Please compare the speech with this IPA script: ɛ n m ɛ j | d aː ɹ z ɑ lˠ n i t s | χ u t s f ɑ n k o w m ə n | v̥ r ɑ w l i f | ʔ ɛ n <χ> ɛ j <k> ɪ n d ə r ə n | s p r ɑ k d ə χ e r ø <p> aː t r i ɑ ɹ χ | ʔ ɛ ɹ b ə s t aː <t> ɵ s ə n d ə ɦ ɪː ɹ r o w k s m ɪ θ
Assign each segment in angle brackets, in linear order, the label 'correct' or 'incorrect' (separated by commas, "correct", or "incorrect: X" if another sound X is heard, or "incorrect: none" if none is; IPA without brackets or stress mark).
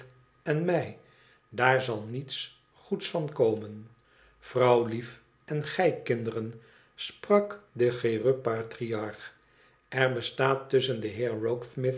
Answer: correct, correct, correct, correct